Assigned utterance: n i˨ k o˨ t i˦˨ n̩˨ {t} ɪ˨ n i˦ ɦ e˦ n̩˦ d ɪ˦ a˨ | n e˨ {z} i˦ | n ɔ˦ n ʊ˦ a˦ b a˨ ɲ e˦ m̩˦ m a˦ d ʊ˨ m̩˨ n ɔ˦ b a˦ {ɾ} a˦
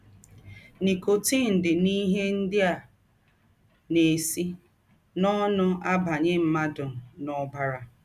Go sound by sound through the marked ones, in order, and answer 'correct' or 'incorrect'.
incorrect: d, incorrect: s, correct

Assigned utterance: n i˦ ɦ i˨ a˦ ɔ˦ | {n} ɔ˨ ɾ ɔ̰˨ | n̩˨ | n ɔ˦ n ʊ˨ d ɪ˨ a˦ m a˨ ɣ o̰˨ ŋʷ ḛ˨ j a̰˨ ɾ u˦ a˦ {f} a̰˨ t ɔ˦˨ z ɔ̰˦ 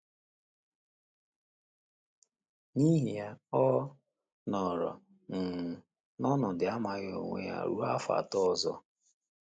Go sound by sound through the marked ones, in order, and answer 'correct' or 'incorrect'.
correct, correct

